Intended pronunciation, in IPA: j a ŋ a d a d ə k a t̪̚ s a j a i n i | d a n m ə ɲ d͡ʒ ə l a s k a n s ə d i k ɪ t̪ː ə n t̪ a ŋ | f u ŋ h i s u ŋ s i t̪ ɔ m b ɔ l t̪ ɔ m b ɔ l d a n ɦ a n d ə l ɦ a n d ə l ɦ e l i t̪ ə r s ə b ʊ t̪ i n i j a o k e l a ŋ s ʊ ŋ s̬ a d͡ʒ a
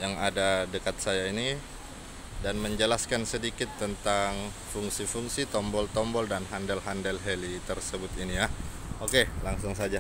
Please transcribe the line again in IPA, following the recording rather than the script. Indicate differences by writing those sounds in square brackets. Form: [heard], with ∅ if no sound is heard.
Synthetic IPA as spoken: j a ŋ a d a d ə k a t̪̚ s a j a i n i | d a n m ə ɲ d͡ʒ ə l a s k a n s ə d i k ɪ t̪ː ə n t̪ a ŋ | f u ŋ [s] i [f] u ŋ s i t̪ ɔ m b ɔ l t̪ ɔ m b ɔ l d a n ɦ a n d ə l ɦ a n d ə l ɦ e l i t̪ ə r s ə b ʊ t̪ i n i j a o k e l a ŋ s ʊ ŋ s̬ a d͡ʒ a